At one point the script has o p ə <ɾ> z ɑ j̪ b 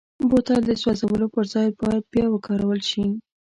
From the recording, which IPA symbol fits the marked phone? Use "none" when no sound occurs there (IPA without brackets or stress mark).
ɾ